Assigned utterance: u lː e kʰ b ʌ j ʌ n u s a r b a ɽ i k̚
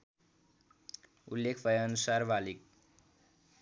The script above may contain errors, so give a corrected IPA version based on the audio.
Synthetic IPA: u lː e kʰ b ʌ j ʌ n u s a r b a l i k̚